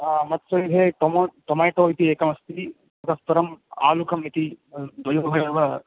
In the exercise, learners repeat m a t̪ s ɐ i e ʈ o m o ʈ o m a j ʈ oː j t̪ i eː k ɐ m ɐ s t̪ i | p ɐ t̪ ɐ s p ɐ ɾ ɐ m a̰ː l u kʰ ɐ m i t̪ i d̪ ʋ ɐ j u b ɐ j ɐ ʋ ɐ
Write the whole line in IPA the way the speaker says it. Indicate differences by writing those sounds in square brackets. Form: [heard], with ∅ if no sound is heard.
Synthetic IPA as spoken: m [ɐ] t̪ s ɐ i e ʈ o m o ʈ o m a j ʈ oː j t̪ i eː k ɐ m ɐ s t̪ i | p ɐ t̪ ɐ s p ɐ ɾ ɐ m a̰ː l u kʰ ɐ m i t̪ i d̪ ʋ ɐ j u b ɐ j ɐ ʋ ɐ